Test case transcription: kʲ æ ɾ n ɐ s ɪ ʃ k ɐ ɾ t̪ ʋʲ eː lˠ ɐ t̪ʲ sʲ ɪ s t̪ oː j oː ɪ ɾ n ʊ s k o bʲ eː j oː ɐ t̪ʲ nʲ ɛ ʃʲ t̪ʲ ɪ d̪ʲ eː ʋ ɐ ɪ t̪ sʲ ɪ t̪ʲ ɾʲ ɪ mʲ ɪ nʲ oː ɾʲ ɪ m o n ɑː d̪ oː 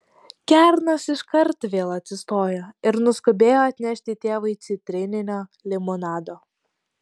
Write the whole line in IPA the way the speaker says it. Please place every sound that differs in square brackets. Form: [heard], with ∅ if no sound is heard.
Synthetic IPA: kʲ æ ɾ n ɐ s ɪ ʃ k ɐ ɾ t̪ ʋʲ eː lˠ ɐ t̪ʲ sʲ ɪ s t̪ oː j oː ɪ ɾ n ʊ s k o bʲ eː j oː ɐ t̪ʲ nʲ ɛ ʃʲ t̪ʲ ɪ [t̪ʲ] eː ʋ ɐ ɪ t̪ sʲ ɪ t̪ʲ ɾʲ ɪ [nʲ] ɪ nʲ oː [lʲ] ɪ m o n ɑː d̪ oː